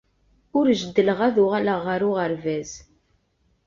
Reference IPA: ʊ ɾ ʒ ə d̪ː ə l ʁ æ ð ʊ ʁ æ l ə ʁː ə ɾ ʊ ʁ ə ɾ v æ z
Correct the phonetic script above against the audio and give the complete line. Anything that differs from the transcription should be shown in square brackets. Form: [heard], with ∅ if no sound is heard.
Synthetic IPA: ʊ ɾ ʒ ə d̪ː ə l ʁ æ ð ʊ ʁ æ l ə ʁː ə ɾ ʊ ʁ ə ɾ v æ z